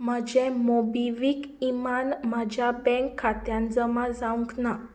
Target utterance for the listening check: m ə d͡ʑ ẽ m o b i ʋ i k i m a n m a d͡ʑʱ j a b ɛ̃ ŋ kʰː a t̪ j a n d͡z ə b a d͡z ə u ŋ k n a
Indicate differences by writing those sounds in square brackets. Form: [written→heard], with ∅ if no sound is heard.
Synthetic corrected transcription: m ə d͡ʑ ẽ m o b i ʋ i k i m a n m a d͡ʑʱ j a b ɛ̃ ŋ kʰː a t̪ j a n d͡z ə [b→m] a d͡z [ə→a] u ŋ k n a